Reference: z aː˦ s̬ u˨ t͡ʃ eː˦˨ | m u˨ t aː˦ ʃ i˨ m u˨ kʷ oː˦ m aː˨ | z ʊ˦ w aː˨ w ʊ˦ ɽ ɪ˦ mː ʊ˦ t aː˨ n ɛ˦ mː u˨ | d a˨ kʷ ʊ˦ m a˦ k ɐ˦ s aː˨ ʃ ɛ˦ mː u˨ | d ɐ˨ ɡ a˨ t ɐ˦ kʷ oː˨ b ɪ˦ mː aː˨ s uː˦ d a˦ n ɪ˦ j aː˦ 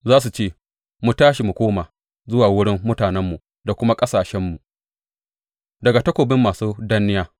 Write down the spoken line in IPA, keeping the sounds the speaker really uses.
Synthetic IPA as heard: z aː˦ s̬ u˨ t͡ʃ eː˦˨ | m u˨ t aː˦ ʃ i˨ m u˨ kʷ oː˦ m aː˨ | z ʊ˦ w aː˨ w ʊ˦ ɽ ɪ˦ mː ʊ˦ t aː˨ n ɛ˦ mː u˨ | d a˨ kʷ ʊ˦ m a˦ kʼ ɐ˦ s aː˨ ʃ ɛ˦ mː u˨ | d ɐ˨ ɡ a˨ t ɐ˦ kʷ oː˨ b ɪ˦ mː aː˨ s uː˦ d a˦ n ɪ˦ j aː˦